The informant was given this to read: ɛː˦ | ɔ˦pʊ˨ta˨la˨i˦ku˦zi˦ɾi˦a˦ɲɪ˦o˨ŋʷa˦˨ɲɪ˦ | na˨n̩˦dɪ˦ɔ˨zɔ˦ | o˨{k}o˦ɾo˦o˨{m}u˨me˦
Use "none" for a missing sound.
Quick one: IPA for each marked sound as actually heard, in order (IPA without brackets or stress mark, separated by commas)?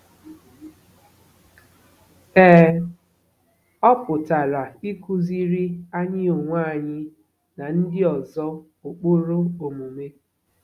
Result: k͡p, m